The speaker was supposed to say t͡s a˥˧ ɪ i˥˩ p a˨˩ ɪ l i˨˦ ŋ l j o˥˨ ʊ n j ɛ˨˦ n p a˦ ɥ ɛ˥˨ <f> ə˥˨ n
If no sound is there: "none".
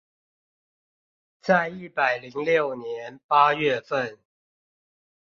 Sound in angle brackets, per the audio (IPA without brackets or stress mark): f